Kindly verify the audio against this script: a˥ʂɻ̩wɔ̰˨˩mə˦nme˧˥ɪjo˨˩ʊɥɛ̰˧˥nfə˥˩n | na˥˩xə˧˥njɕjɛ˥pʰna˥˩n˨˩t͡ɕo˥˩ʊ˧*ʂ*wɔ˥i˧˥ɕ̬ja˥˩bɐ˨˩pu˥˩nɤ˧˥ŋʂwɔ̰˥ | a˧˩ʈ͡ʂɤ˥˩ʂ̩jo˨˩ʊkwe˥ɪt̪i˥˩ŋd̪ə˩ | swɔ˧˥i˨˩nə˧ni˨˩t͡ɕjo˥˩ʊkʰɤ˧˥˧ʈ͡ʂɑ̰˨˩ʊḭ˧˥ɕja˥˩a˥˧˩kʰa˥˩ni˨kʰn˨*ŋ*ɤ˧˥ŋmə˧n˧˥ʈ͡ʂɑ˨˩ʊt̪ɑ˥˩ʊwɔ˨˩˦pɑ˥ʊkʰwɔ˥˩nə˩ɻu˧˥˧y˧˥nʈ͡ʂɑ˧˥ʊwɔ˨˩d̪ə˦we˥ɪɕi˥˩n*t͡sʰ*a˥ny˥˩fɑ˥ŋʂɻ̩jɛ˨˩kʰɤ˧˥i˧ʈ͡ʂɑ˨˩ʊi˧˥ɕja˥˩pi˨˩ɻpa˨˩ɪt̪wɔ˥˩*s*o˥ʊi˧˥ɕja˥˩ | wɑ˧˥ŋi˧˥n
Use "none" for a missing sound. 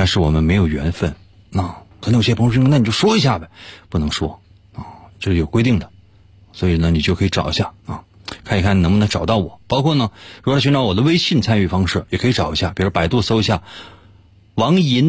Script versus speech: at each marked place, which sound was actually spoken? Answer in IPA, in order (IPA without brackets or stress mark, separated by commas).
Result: ʂ, n, t͡sʰ, s